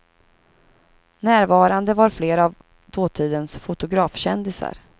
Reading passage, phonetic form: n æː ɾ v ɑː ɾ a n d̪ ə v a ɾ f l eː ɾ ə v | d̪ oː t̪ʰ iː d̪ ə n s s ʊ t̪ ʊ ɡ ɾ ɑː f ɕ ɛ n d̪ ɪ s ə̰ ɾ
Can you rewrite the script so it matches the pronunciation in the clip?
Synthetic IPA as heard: n æː ɾ v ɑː ɾ a n d̪ ə v a ɾ f l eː ɾ a v | d̪ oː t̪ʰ iː d̪ ə n s f ʊ t̪ ʊ ɡ ɾ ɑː f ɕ ɛ n d̪ ɪ s a̰ ɾ